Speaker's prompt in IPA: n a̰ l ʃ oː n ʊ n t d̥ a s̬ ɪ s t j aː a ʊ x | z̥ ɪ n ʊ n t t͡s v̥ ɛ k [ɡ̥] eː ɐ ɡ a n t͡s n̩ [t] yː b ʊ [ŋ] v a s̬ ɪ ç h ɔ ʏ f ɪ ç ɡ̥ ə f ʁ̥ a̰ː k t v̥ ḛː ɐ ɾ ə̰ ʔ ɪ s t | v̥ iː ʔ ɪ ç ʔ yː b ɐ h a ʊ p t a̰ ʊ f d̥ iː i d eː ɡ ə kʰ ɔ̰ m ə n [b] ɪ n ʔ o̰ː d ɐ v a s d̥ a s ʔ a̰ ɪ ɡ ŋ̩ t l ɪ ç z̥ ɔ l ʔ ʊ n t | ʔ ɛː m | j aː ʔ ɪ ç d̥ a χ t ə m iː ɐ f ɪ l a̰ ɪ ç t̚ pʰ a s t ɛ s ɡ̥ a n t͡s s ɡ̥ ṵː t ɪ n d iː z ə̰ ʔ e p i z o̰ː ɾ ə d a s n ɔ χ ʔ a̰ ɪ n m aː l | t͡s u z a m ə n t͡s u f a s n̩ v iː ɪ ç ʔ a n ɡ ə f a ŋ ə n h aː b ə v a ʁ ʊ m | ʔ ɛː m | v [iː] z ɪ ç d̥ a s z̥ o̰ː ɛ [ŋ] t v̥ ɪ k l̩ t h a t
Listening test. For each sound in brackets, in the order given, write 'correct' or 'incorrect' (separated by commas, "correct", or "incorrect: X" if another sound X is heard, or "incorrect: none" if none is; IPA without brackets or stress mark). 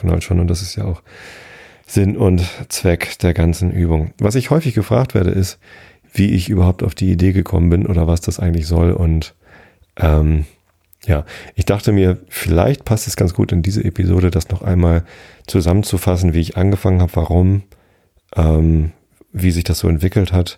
incorrect: d̥, incorrect: ʔ, correct, correct, correct, incorrect: n